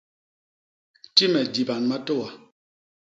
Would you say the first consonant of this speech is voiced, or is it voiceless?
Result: voiceless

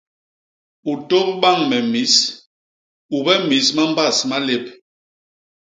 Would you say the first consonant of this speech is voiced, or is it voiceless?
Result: voiceless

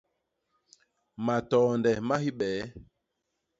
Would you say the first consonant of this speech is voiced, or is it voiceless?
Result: voiced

